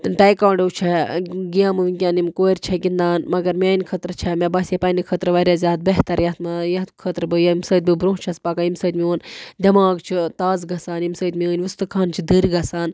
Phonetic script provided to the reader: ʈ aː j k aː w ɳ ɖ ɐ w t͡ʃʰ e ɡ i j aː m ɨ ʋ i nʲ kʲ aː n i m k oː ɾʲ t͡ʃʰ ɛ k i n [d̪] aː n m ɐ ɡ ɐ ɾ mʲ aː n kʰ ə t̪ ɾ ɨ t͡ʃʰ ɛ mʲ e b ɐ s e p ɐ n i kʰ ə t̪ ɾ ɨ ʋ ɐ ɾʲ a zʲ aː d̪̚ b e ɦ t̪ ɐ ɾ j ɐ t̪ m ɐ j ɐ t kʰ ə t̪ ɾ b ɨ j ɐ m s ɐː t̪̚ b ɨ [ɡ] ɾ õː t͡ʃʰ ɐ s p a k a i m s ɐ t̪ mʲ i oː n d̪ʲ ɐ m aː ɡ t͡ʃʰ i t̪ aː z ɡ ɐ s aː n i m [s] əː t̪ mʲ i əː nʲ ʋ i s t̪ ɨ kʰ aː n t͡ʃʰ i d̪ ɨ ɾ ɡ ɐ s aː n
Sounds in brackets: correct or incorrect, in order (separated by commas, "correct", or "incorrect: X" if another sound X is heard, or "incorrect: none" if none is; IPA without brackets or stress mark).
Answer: correct, incorrect: b, correct